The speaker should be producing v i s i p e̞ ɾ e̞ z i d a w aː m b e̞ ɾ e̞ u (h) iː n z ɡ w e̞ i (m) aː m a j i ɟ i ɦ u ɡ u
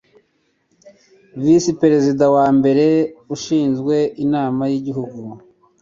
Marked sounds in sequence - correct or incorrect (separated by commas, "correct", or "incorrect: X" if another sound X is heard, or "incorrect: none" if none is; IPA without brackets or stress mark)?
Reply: incorrect: ʃ, incorrect: n